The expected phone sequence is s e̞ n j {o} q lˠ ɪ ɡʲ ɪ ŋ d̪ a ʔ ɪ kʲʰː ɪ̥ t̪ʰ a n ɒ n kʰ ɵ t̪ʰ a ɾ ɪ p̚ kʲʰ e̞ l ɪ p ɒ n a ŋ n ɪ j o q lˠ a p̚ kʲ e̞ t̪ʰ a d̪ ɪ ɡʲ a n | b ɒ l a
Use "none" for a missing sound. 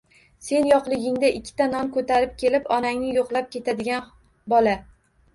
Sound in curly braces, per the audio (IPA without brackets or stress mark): ɒ